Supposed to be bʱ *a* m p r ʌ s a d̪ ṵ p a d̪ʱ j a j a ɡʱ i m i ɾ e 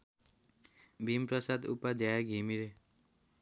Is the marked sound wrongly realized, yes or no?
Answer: yes